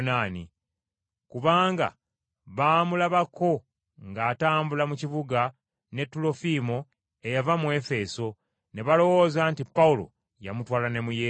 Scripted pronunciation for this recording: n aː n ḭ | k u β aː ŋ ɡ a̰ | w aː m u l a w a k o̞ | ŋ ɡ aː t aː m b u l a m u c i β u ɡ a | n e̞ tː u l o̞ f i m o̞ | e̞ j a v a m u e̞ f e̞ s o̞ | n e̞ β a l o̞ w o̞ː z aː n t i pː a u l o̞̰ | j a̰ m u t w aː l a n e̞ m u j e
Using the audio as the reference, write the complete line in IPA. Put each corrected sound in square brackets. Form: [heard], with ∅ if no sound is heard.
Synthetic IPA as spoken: n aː n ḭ | k u β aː ŋ ɡ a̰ | [β] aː m u l a [β] a k o̞ | ŋ ɡ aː t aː m b u l a m u c i β u ɡ a | n e̞ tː u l o̞ f i m o̞ | e̞ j a v a m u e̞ f e̞ s o̞ | n e̞ β a l o̞ w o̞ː z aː n t i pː a u l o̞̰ | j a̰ m u t w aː l a n e̞ m u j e